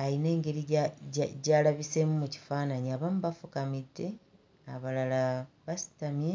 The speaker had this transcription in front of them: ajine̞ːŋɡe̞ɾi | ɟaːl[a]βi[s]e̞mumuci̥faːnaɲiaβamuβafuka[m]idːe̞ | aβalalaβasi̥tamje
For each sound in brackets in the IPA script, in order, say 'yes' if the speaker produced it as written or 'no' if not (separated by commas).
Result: yes, yes, yes